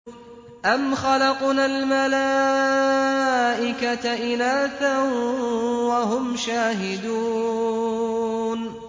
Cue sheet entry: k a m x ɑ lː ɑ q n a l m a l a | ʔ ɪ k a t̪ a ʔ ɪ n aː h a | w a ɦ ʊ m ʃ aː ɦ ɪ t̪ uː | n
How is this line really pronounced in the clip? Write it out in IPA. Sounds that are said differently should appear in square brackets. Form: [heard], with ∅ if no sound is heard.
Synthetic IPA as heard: [ʔ] a m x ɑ [l] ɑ q n a l m a l a | ʔ ɪ k a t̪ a ʔ ɪ n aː [θ] a | w a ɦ ʊ m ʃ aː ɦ ɪ [d̪] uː | n